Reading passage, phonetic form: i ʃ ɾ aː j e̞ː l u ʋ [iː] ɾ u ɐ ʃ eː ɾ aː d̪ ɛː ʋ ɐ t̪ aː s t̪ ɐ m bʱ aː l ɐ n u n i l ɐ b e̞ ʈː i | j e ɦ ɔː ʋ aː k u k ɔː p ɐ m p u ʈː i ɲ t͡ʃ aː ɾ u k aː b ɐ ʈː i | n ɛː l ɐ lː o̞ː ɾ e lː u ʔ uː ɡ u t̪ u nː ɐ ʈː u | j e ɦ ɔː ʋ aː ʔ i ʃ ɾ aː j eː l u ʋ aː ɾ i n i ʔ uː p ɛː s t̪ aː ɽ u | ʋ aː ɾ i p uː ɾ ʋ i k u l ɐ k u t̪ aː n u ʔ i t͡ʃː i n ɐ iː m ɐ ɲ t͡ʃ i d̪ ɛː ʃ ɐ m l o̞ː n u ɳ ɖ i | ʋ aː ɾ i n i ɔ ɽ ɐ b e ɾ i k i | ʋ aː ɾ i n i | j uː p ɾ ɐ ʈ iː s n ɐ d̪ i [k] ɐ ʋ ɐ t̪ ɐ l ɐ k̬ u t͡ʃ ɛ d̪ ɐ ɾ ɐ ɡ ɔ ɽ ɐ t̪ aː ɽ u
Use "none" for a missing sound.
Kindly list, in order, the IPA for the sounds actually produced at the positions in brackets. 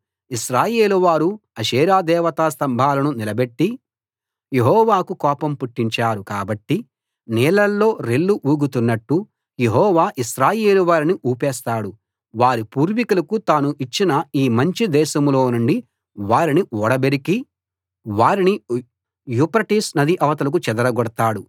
aː, ʔ

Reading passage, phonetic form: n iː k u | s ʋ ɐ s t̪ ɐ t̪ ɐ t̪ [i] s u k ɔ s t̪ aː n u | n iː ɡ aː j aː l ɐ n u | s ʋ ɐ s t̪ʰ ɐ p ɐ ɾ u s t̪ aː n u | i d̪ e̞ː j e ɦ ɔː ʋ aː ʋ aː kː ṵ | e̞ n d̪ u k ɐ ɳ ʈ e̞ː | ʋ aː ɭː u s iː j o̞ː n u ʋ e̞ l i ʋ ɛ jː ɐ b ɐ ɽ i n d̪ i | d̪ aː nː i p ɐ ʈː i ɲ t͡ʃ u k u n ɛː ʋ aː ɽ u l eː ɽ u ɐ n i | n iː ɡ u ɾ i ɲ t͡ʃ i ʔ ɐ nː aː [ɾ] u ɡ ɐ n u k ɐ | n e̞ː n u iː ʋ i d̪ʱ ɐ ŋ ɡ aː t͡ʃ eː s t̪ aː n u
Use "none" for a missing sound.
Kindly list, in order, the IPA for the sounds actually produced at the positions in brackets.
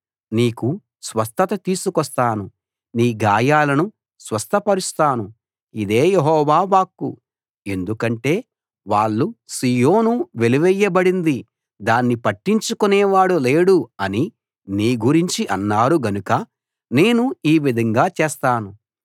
iː, ɾ

